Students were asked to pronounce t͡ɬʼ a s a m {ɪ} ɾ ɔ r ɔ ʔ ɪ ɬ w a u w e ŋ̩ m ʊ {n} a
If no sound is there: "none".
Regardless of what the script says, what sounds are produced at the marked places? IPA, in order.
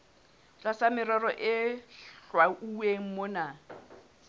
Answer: ɪ, n

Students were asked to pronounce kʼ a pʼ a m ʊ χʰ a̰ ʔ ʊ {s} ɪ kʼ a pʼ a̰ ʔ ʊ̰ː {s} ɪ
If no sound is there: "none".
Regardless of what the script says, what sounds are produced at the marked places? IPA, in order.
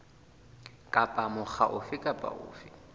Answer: f, f

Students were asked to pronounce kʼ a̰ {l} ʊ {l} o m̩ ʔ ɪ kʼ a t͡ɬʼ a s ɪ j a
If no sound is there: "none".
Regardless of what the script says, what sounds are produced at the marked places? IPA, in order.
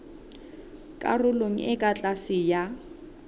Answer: r, l

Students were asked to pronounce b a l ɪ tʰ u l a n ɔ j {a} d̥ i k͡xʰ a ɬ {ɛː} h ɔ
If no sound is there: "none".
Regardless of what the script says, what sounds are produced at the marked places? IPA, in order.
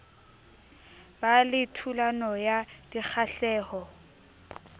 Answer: a, ɛː

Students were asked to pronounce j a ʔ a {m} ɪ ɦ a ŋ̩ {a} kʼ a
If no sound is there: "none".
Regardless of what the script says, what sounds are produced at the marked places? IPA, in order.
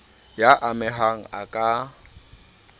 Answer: m, a

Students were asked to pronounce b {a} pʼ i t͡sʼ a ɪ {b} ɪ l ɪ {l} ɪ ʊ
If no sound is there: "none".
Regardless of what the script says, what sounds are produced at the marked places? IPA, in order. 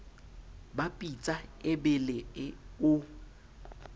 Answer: a, b, none

